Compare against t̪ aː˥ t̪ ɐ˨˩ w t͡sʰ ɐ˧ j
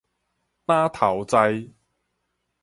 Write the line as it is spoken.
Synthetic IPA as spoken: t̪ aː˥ t̪ʰ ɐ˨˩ w t͡s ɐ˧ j